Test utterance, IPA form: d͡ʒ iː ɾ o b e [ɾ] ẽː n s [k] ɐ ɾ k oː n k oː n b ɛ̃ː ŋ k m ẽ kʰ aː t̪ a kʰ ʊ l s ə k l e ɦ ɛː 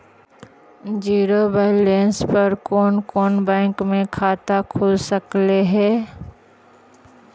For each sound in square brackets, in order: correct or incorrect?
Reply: incorrect: l, incorrect: p

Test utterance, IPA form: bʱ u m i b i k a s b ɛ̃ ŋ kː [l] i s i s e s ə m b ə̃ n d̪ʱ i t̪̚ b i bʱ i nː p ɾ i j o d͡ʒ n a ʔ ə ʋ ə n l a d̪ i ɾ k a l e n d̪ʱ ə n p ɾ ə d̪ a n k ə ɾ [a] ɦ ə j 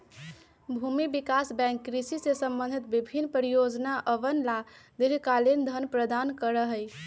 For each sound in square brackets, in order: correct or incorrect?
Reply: incorrect: ɾ, incorrect: ə

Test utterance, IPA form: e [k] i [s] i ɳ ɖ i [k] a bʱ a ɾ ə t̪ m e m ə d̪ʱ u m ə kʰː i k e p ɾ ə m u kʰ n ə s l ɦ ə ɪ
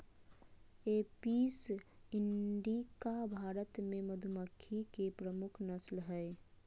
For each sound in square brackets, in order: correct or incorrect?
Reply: incorrect: p, correct, correct

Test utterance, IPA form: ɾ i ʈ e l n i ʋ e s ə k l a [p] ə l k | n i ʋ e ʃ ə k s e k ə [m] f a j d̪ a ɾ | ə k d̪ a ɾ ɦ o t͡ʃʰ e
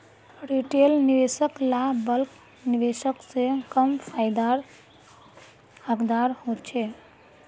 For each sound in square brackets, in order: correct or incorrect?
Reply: incorrect: b, correct

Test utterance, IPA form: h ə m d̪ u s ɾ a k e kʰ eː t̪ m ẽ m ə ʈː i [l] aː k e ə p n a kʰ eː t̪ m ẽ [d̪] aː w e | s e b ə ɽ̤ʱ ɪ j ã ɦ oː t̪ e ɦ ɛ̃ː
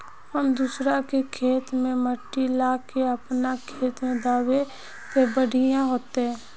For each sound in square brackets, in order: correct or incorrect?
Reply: correct, correct

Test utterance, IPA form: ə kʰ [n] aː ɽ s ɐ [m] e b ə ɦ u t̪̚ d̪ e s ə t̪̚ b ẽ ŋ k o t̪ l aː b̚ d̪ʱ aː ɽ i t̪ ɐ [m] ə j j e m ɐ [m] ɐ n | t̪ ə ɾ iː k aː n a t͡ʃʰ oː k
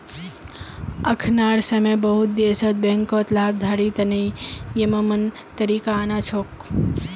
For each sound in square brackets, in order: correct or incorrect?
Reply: correct, correct, incorrect: n, correct

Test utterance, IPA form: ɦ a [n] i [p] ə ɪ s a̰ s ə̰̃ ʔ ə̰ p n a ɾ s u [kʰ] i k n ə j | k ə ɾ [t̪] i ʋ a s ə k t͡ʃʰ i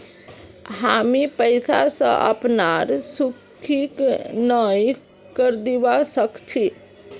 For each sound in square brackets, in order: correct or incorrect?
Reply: incorrect: m, correct, correct, incorrect: d̪

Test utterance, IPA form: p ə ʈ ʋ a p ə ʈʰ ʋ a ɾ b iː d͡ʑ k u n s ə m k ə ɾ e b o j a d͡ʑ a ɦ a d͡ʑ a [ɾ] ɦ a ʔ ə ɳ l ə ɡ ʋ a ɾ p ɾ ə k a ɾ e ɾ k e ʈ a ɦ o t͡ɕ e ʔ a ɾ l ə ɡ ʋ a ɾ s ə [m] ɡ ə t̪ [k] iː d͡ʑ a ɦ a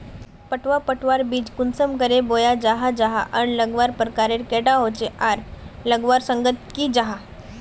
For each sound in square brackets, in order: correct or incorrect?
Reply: incorrect: none, incorrect: ŋ, correct

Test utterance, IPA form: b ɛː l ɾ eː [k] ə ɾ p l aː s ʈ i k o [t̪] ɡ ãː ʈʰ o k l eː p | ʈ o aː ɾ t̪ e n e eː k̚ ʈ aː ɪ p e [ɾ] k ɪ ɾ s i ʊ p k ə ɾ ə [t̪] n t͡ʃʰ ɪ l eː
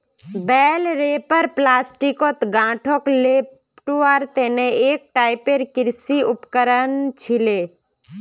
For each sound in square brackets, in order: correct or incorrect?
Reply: incorrect: p, correct, correct, incorrect: none

